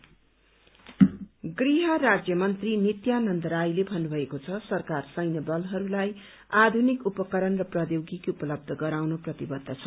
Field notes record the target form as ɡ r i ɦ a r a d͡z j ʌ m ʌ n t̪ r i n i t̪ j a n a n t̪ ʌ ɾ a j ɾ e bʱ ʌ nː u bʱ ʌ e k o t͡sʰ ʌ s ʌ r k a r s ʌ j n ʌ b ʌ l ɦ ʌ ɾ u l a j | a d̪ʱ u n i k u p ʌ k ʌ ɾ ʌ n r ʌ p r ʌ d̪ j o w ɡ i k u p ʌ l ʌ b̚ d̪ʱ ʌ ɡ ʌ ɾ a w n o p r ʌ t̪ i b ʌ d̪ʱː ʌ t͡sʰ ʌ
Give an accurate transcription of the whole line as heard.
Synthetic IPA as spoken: ɡ r i ɦ ʌ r a d͡z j ʌ m ʌ n t̪ r i n i t̪ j a n ʌ n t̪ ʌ ɾ a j l e bʱ ʌ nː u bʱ ʌ e k o t͡sʰ ʌ s ʌ r k a r s ʌ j n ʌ b ʌ l ɦ ʌ ɾ u l a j | a d̪ʱ u n i k u p ʌ k ʌ ɾ ʌ n r ʌ p r ʌ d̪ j o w ɡ i k u p ʌ l ʌ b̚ d̪ʱ ʌ ɡ ʌ ɾ a w n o p r ʌ t̪ i b ʌ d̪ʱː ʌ t͡sʰ ʌ